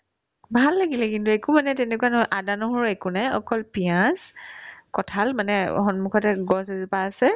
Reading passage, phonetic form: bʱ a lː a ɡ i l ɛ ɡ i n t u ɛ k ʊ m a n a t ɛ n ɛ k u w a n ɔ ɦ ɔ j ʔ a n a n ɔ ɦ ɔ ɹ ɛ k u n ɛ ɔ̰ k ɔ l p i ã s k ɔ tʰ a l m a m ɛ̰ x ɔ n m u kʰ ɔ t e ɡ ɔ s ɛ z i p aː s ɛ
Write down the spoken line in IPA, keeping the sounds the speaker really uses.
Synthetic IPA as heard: bʱ a lː a ɡ i l ɛ k i n t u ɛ k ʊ m a n ɛ t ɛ n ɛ k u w a n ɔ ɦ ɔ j ʔ a d a n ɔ ɦ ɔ ɹ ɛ k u n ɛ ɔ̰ k ɔ l p i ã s k ɔ tʰ a l m a n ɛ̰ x ɔ n m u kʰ ɔ t ɛ ɡ ɔ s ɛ z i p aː s ɛ